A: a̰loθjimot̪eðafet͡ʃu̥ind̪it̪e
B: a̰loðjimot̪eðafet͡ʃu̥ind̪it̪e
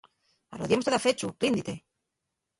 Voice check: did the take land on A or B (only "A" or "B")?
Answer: B